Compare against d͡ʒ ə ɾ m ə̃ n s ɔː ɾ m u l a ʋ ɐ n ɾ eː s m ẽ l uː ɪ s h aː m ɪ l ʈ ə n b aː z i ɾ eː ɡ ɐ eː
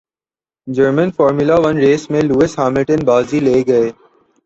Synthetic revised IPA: d͡ʒ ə ɾ m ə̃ n f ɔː ɾ m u l a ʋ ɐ n ɾ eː s m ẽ l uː ɪ s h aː m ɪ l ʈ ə n b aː z i l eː ɡ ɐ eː